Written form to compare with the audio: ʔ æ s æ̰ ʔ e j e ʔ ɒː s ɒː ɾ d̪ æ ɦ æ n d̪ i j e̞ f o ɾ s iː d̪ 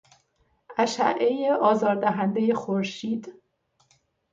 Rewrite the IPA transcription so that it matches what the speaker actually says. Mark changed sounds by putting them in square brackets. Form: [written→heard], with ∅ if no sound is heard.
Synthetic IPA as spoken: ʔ æ [s→ʃ] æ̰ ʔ e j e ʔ ɒː [s→z] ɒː ɾ d̪ æ ɦ æ n d̪ [i→e] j e̞ [f→x] o ɾ [s→ʃ] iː d̪